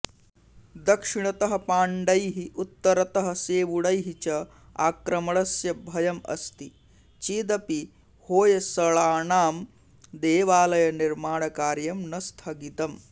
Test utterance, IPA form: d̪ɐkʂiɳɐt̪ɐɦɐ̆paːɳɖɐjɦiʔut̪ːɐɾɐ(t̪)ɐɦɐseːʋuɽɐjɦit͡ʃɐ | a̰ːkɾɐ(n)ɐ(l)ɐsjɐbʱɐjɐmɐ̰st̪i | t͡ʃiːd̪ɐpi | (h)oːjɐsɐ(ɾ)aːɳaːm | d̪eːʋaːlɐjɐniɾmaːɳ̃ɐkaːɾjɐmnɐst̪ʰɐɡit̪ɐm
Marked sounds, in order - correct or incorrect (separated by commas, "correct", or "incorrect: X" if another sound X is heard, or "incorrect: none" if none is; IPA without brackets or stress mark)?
correct, incorrect: m, incorrect: ɭ, correct, incorrect: ɭ